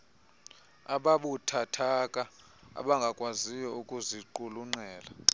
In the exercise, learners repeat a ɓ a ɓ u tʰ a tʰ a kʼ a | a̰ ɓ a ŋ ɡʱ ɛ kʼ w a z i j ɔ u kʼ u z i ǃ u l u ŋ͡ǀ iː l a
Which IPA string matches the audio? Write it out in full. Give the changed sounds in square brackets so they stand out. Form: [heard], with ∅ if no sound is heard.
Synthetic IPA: a ɓ a ɓ u tʰ a tʰ a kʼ a | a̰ ɓ a ŋ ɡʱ [a] kʼ w a z i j ɔ u kʼ u z i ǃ u l u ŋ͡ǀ [ɛː] l a